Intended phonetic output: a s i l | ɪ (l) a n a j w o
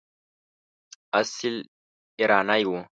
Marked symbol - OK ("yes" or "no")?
no